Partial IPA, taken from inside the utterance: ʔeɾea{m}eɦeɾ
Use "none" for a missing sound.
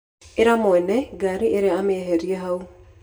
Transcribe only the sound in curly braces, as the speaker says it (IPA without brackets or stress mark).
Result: m